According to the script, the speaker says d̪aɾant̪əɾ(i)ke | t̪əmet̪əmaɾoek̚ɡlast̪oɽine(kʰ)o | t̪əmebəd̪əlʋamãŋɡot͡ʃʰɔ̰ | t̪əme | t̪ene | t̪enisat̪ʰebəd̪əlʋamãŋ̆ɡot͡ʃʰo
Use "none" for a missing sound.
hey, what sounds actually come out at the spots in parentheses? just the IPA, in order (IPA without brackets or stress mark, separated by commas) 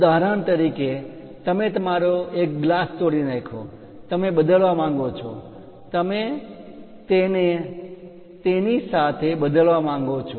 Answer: i, kʰ